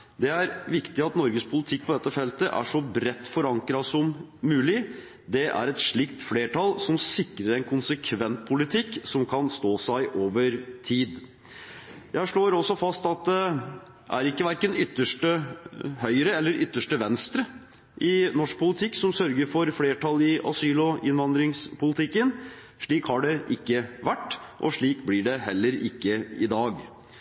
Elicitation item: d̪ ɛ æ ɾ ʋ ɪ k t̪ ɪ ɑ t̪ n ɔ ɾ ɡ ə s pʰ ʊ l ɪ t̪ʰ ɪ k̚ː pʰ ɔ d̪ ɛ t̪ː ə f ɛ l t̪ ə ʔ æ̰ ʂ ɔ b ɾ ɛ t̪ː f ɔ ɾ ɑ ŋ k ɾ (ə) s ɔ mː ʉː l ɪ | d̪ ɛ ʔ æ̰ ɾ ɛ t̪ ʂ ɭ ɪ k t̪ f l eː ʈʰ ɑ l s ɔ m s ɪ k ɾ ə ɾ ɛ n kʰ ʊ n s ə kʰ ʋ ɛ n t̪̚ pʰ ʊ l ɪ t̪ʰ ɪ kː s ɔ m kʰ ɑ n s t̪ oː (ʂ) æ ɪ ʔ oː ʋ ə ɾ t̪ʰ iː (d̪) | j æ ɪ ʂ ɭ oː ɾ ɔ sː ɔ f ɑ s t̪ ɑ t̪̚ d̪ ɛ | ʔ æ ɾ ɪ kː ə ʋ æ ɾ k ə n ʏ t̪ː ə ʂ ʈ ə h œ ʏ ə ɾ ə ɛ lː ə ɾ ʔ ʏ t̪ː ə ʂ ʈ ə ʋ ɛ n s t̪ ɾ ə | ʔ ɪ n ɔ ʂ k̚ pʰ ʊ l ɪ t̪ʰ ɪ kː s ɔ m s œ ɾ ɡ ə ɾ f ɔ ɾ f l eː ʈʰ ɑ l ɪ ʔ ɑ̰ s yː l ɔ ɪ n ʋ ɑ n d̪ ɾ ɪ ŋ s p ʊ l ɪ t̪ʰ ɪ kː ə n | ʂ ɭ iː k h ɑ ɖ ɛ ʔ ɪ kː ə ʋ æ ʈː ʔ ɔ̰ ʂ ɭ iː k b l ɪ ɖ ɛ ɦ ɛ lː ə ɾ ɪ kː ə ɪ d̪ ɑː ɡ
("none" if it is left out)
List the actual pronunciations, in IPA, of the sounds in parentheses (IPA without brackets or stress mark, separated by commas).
ɑ, s, d̪